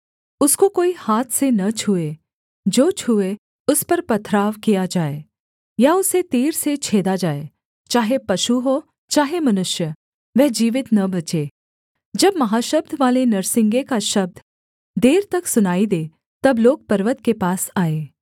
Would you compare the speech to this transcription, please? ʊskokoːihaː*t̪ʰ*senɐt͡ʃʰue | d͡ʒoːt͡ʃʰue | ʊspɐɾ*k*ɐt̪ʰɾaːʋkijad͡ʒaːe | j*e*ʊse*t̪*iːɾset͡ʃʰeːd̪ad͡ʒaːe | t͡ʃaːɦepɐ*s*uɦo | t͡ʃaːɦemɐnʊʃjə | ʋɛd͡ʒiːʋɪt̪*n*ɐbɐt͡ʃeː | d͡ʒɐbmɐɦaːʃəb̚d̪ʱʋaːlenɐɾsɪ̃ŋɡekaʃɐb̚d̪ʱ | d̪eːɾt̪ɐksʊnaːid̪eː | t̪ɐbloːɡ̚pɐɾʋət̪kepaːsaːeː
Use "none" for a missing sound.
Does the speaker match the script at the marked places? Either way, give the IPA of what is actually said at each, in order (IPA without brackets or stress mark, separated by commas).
t̪ʰ, p, a, t̪, ʃ, n